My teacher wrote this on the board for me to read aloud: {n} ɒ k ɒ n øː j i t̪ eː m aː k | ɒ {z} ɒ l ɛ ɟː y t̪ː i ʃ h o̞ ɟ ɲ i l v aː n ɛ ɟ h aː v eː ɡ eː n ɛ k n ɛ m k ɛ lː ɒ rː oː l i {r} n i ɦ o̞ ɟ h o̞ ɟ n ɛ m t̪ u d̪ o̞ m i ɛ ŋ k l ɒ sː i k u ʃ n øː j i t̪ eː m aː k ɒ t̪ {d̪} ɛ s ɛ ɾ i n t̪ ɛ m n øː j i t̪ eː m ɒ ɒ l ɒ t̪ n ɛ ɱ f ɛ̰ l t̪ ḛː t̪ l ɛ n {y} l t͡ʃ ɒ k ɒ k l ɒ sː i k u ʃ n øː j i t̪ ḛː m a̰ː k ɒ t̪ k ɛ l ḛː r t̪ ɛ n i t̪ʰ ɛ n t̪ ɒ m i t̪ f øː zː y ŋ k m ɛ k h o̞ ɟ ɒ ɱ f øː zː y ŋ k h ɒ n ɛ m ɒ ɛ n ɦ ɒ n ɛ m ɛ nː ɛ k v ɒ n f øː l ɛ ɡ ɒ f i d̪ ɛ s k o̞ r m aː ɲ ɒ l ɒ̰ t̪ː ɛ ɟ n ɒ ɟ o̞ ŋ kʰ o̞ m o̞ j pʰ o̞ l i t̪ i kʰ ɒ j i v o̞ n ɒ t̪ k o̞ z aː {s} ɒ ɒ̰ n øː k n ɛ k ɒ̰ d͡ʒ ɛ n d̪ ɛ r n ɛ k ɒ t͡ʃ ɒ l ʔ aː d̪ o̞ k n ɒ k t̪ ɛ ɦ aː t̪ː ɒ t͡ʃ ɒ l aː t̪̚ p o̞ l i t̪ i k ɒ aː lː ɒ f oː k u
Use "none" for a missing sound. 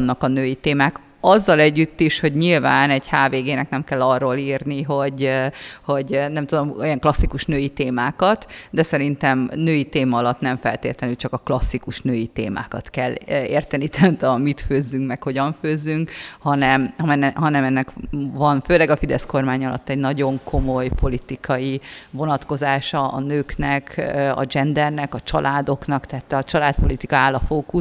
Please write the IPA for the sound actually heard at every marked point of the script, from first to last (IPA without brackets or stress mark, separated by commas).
nː, zː, r, d̪, y, ʃ